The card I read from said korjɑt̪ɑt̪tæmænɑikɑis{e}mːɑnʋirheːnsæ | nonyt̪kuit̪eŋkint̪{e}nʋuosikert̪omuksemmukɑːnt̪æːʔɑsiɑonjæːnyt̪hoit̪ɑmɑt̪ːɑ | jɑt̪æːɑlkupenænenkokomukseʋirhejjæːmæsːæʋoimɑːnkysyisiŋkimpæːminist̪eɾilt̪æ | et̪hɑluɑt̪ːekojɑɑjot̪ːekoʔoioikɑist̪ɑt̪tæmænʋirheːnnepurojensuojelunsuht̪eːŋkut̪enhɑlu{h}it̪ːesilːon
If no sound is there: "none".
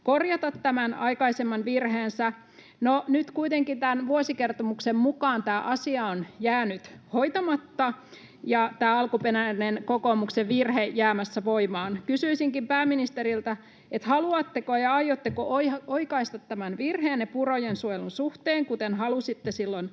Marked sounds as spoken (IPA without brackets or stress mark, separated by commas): e, æ, s